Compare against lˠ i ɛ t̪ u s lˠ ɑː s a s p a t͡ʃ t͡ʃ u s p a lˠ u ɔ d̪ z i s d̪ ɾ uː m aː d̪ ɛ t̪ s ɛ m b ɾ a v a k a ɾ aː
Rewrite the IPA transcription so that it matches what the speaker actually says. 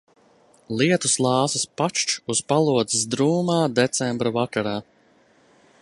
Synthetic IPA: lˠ i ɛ t̪ u s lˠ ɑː s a s p a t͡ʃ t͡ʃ u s p a lˠ u ɔ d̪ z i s d̪ ɾ uː m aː d̪ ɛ t̪ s ɛ m b ɾ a v a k a ɾ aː